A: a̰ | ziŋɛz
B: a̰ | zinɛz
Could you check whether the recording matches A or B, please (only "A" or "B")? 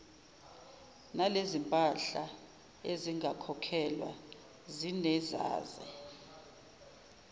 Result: B